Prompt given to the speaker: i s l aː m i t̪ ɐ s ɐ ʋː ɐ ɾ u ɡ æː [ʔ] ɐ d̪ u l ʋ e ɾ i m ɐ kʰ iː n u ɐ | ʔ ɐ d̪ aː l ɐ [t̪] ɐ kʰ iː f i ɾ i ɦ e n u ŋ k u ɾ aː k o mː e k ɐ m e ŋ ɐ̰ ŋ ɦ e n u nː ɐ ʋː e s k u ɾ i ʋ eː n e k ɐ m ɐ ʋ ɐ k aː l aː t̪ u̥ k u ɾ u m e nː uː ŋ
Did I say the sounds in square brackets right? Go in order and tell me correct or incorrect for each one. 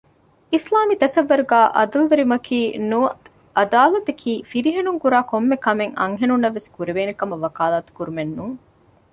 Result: correct, correct

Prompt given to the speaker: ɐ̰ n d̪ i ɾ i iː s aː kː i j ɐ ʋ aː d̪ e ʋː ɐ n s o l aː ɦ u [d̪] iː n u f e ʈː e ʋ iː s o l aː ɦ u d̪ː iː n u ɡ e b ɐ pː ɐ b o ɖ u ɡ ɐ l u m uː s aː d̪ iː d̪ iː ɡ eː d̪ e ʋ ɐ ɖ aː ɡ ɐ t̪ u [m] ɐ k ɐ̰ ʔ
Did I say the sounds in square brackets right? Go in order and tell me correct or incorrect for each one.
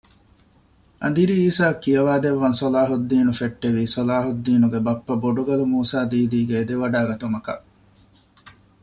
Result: incorrect: d̪ː, correct

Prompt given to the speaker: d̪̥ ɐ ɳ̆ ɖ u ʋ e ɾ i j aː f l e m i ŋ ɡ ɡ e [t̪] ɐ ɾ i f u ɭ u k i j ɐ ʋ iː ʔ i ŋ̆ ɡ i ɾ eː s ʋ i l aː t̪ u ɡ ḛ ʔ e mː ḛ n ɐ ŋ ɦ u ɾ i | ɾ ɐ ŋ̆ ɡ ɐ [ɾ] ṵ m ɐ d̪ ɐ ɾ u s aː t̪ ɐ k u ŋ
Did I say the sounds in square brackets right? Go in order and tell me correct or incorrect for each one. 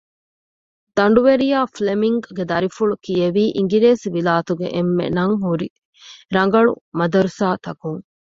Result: incorrect: d̪, incorrect: ɭ

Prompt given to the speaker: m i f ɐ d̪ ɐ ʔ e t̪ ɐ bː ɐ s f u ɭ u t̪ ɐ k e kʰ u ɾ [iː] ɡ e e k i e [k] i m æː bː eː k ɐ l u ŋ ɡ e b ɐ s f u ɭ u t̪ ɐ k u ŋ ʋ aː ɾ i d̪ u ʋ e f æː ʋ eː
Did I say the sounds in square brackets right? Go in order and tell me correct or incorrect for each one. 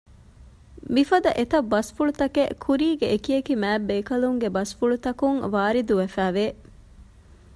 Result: correct, correct

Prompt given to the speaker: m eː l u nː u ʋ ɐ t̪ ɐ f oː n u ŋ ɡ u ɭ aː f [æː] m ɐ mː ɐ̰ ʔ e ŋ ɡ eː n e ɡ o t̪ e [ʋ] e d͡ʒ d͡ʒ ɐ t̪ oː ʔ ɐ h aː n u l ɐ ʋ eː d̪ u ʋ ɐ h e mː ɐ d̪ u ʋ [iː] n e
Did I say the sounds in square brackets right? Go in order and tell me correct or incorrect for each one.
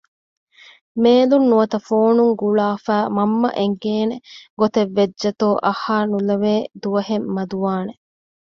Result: correct, incorrect: ʋː, incorrect: aː

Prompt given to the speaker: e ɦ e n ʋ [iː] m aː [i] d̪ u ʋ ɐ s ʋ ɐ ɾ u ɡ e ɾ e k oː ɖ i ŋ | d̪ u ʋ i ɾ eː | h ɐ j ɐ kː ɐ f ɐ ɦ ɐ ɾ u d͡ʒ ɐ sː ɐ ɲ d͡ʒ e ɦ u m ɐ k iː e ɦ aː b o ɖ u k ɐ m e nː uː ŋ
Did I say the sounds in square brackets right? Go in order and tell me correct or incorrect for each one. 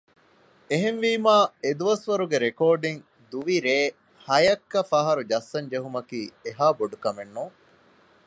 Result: correct, incorrect: e

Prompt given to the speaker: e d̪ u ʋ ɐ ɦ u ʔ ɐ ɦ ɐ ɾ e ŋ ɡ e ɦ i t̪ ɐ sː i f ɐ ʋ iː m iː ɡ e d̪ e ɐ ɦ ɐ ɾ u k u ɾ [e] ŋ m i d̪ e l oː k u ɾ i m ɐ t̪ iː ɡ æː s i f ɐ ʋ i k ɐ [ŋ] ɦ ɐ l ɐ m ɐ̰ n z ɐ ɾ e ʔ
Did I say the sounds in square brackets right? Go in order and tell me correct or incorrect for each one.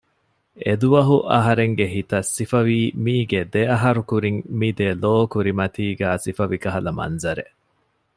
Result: incorrect: i, incorrect: none

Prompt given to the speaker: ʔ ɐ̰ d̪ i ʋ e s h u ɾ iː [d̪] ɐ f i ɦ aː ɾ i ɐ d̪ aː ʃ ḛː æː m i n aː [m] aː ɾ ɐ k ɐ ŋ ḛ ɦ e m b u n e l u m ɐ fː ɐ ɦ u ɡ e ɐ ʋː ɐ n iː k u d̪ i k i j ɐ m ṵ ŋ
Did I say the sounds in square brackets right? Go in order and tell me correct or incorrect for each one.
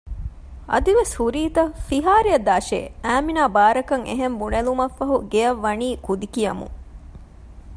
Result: incorrect: t̪, incorrect: b

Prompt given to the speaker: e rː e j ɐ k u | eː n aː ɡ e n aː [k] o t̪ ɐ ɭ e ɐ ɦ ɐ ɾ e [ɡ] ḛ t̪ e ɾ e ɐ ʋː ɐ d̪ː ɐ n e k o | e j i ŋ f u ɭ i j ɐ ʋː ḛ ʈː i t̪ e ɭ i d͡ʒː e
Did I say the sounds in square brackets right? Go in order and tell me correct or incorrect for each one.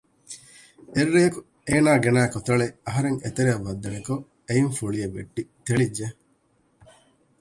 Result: correct, incorrect: ŋ

